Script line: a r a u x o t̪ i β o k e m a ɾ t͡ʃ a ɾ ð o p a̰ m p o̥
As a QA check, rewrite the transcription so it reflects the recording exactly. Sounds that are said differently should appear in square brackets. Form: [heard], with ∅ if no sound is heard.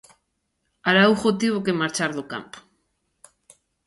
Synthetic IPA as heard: a [ɾ] a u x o t̪ i β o k e m a ɾ t͡ʃ a ɾ ð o [k] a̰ m p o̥

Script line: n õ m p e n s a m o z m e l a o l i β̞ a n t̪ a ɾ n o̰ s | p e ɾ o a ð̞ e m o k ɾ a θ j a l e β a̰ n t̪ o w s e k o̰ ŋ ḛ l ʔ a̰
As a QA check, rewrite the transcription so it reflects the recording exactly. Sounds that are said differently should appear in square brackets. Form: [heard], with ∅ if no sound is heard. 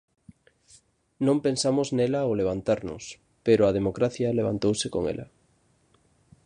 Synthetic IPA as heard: n õ m p e n s a m o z [n] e l a o l [e] β̞ a n t̪ a ɾ n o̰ s | p e ɾ o a ð̞ e m o k ɾ a θ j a l e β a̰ n t̪ o w s e k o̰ ŋ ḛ l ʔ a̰

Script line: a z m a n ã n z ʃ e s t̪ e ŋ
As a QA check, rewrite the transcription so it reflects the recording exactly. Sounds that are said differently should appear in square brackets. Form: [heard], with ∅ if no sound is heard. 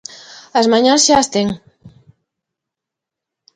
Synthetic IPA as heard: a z m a [ɲ] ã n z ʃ [a] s t̪ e ŋ

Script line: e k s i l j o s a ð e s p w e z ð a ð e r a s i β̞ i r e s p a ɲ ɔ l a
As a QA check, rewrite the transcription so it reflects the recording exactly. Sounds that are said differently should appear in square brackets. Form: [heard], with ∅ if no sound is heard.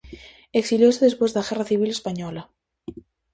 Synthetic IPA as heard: e k s i l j o s [e] ð e s p w e z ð a [ɣ] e r a [θ] i β̞ i [l] e s p a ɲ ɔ l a

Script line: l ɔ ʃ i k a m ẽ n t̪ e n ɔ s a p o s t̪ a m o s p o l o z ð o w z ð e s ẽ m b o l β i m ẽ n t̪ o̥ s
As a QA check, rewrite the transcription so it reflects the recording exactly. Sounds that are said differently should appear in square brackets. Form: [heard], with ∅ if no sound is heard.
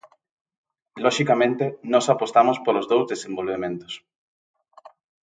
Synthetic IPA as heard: l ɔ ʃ i k a m ẽ n t̪ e n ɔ s a p o s t̪ a m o s p o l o z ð o w z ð e s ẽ m b o l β [e] m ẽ n t̪ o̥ s

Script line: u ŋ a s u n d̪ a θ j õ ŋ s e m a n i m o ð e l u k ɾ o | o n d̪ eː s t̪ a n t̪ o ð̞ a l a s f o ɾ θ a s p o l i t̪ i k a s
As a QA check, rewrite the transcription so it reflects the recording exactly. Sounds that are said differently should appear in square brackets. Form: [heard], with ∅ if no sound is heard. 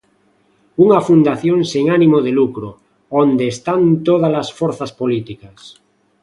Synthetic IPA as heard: u ŋ a [f] u n d̪ a θ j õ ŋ s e [ŋ] a n i m o ð e l u k ɾ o | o n d̪ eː s t̪ a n t̪ o ð̞ a l a s f o ɾ θ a s p o l i t̪ i k a s

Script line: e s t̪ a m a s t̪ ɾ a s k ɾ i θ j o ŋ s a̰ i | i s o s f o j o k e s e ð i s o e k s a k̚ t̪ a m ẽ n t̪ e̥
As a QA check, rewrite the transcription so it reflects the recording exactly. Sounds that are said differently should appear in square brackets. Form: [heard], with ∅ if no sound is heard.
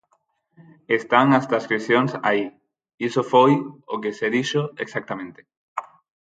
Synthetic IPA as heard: e s t̪ a [ŋ] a s t̪ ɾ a s k ɾ i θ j o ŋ s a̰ i | i s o [∅] f o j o k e s e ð i [ʃ] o e k s a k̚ t̪ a m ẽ n t̪ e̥

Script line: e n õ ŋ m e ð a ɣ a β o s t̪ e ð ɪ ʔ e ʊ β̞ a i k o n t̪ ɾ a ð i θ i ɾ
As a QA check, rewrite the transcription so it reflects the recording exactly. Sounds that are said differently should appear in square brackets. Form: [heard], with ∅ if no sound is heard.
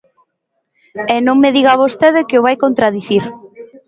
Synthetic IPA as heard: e n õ ŋ m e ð [i] ɣ a β o s t̪ e ð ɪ [k] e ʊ β̞ a [j] k o n t̪ ɾ a ð i θ i ɾ

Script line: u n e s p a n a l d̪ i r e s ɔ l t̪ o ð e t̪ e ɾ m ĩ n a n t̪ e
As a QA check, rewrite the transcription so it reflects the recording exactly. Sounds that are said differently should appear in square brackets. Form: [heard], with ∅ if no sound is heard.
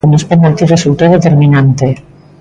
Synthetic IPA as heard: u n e s p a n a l [t̪] i r e s [u] l t̪ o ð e t̪ e ɾ m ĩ n a n t̪ e

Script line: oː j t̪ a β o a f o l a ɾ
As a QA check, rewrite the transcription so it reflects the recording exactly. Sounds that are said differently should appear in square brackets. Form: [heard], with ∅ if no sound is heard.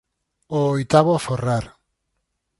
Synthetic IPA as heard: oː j t̪ a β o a f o [r] a ɾ

